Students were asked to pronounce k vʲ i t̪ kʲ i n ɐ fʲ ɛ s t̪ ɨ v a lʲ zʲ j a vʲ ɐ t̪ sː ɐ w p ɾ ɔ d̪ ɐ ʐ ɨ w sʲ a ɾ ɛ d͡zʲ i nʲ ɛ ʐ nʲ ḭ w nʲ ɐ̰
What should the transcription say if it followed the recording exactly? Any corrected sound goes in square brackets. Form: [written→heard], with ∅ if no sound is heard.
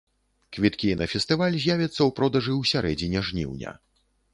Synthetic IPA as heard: k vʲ i t̪ kʲ i n ɐ fʲ ɛ s t̪ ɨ v a lʲ zʲ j a vʲ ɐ t̪ sː ɐ w p ɾ ɔ d̪ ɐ ʐ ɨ w sʲ a ɾ ɛ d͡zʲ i nʲ ɛ ʐ nʲ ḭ w nʲ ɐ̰